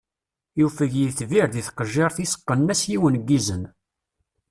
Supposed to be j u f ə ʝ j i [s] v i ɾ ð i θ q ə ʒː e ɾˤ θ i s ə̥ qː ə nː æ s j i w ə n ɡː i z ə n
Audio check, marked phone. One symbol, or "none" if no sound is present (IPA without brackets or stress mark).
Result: θ